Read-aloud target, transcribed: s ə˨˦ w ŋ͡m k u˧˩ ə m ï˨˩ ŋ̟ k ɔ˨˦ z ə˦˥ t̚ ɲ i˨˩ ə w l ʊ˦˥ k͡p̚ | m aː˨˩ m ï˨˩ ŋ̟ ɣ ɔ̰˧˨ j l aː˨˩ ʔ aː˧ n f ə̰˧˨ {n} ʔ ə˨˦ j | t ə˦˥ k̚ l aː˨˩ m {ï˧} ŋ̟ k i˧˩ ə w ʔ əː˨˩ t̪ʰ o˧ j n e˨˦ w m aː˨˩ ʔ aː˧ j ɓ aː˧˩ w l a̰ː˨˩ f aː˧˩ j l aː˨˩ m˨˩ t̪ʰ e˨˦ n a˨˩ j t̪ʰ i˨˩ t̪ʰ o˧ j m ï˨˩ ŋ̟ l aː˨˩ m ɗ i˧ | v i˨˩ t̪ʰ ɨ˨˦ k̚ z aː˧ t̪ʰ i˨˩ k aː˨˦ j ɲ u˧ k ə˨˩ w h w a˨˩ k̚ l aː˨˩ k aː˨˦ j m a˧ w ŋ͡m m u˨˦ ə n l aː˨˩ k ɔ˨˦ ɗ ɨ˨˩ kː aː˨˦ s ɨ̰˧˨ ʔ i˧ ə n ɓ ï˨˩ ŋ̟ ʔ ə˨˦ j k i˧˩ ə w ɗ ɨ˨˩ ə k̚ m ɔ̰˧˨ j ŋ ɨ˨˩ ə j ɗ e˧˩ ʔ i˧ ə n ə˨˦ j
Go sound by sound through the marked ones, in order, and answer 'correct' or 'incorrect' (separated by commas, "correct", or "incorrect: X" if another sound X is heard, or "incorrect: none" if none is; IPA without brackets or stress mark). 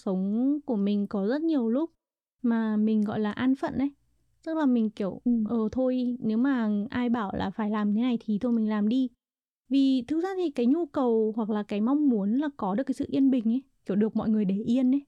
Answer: correct, incorrect: ï˨˩